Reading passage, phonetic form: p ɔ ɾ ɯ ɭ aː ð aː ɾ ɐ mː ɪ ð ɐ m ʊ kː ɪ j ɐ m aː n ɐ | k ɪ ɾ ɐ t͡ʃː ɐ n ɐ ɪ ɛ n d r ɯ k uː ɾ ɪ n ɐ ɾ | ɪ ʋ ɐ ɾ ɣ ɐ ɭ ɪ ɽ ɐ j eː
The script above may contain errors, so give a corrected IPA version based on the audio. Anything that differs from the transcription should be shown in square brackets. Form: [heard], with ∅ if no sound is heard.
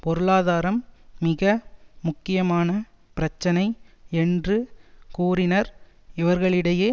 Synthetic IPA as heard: p ɔ ɾ ɯ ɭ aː ð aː ɾ ɐ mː ɪ [ɣ] ɐ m ʊ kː ɪ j ɐ m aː n ɐ | [p] ɪ ɾ ɐ t͡ʃː ɐ n ɐ ɪ ɛ n d r ɯ k uː ɾ ɪ n ɐ ɾ | ɪ ʋ ɐ ɾ ɣ ɐ ɭ ɪ ɽ ɐ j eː